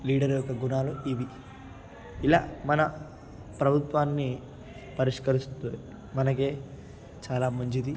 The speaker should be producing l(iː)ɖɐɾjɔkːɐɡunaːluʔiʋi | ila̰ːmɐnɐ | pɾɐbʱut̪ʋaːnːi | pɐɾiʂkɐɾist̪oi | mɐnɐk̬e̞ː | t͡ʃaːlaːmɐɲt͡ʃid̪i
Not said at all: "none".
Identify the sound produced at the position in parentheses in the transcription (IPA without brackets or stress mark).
iː